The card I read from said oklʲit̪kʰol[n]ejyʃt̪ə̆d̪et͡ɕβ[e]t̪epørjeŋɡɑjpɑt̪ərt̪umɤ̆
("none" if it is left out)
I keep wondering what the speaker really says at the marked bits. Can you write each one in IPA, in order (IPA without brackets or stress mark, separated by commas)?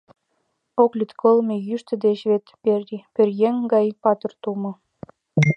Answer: m, e